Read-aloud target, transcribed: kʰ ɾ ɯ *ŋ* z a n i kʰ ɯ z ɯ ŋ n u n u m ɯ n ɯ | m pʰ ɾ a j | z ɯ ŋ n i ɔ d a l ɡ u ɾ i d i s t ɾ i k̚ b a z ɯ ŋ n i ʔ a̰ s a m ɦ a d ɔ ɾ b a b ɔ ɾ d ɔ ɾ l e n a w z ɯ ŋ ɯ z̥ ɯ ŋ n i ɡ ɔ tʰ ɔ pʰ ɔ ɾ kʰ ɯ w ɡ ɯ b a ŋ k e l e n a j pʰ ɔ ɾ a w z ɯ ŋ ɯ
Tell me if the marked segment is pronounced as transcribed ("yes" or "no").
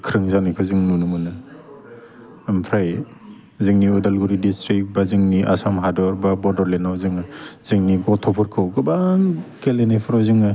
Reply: yes